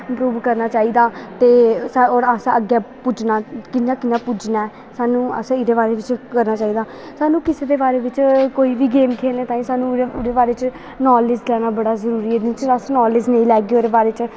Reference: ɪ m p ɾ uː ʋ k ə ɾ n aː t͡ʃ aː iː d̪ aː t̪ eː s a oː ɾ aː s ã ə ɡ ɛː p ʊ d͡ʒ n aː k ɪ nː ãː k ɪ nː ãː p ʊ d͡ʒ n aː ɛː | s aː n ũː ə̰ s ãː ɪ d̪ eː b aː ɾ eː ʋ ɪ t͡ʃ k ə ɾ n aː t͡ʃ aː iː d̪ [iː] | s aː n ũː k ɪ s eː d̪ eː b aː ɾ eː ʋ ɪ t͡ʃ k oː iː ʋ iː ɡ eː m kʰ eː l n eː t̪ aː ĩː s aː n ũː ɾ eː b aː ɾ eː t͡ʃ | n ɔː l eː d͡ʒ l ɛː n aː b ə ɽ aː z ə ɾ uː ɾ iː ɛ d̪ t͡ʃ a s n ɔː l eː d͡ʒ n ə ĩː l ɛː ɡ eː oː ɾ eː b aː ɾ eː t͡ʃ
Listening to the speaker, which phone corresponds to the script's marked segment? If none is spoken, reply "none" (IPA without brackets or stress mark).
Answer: aː